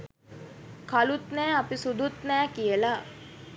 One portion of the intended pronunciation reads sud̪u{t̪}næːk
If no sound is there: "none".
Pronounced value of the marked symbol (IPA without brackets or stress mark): t̪